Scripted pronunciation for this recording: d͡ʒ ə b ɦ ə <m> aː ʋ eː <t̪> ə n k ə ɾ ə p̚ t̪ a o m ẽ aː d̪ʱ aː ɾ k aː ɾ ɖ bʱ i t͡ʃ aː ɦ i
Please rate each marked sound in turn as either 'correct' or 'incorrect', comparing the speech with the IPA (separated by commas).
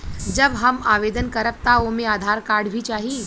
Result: correct, incorrect